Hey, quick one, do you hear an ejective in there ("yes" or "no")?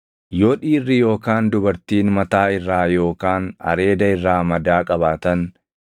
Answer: yes